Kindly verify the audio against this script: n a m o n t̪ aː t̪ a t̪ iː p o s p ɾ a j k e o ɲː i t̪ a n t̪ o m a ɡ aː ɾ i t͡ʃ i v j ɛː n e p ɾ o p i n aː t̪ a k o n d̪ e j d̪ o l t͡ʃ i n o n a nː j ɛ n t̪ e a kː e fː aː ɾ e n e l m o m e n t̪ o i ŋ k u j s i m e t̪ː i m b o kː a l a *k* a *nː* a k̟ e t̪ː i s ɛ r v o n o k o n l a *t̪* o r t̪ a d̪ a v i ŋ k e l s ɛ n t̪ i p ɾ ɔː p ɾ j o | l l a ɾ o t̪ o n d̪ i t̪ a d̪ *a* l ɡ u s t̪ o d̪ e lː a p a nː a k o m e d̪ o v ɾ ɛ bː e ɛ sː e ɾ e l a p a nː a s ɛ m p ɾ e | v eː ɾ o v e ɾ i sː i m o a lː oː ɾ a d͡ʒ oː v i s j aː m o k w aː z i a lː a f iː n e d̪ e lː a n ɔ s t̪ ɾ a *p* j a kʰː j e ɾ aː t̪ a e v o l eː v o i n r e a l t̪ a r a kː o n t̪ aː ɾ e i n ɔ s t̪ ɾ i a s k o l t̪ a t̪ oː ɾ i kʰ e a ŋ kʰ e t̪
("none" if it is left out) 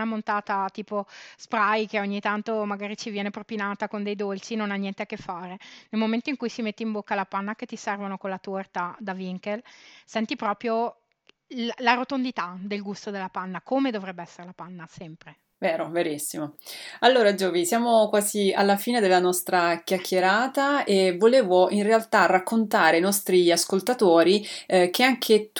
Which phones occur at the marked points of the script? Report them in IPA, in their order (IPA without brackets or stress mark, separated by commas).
p, nː, t̪, e, k